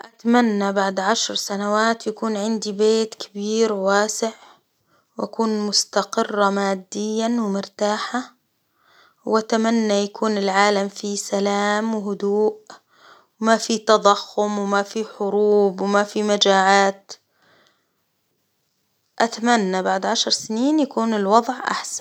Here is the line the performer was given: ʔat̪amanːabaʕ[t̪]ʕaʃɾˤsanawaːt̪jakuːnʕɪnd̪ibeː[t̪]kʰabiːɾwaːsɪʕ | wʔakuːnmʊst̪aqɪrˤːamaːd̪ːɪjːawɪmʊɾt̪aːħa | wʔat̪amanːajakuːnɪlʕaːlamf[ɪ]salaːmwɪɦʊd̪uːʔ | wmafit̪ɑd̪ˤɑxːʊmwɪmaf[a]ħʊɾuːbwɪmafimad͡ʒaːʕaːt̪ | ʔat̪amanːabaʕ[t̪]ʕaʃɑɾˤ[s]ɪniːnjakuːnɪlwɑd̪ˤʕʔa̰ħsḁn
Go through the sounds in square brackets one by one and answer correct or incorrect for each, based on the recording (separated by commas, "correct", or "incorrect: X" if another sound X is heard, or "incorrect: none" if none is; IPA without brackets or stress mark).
incorrect: d̪, correct, incorrect: i, incorrect: i, incorrect: d̪, correct